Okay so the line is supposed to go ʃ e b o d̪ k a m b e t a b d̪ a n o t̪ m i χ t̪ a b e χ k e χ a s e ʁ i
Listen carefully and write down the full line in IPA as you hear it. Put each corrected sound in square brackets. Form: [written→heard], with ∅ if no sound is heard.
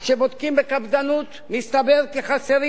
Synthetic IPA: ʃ e b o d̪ k [a→i] m b e [t→k] a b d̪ a n [o→u] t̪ m i [χ→s] t̪ a b e [χ→ʁ] k e χ a s e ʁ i